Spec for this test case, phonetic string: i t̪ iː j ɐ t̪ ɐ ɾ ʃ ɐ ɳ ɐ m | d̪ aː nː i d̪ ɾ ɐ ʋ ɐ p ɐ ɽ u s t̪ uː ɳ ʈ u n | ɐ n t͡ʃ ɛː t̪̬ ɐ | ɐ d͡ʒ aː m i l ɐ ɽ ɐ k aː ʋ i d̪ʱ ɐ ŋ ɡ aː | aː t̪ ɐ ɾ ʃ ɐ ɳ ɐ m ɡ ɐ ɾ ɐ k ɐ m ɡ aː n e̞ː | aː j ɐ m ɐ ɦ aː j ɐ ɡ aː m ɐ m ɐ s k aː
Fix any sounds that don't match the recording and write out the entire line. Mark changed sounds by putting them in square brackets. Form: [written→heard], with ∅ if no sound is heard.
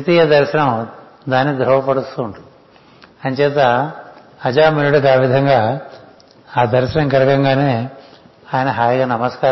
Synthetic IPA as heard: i t̪ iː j ɐ [t̪→d̪] ɐ ɾ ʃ ɐ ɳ ɐ m | d̪ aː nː i d̪ ɾ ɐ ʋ ɐ p ɐ ɽ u s t̪ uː ɳ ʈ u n | ɐ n t͡ʃ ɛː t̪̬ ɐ | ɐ d͡ʒ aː m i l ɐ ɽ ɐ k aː ʋ i d̪ʱ ɐ ŋ ɡ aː | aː [t̪→d̪] ɐ ɾ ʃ ɐ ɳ ɐ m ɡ ɐ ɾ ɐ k ɐ [m→ŋ] ɡ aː n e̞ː | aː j ɐ [m→n] ɐ ɦ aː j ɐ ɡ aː [m→n] ɐ m ɐ s k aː